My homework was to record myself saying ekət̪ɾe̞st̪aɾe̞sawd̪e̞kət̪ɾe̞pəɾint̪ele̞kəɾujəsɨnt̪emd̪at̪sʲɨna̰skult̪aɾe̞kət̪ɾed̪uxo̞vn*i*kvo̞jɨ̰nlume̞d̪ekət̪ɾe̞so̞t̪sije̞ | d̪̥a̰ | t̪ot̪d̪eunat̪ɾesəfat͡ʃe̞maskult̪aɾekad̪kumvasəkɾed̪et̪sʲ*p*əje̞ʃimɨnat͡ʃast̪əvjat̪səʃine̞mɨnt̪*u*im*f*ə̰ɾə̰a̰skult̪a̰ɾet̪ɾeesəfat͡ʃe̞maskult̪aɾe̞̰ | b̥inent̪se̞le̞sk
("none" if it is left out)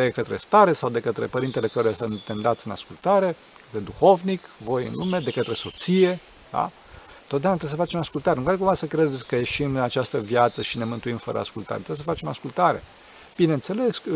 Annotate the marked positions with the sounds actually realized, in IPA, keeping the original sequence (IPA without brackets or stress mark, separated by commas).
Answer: i, k, u, f